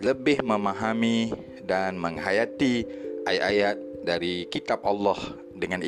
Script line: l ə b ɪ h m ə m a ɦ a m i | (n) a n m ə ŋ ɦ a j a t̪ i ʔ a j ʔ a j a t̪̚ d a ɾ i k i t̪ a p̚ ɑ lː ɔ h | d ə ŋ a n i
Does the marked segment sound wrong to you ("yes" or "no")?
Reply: yes